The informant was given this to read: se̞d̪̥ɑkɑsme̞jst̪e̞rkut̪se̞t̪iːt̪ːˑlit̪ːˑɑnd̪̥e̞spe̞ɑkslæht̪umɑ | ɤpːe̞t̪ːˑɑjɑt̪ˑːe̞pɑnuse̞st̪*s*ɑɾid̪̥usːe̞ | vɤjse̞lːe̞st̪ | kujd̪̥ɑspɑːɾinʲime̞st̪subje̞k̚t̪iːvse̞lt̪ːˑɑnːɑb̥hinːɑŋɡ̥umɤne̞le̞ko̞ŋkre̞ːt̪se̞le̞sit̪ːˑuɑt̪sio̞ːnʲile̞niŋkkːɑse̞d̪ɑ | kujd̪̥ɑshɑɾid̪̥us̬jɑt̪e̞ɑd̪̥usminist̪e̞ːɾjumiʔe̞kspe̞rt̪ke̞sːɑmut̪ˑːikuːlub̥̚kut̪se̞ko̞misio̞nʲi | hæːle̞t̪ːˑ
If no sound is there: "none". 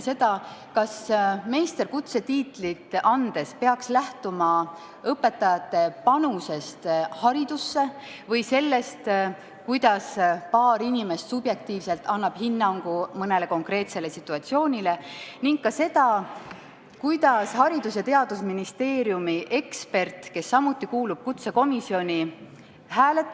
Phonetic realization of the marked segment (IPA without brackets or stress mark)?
h